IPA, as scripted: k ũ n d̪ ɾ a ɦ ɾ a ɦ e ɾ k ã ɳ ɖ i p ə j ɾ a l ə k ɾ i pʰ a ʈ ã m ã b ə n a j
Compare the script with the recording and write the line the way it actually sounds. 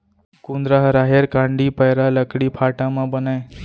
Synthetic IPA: k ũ n d̪ ɾ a ɦ ɾ a ɦ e ɾ k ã ɳ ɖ i p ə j ɾ a l ə k ɽ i pʰ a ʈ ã m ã b ə n a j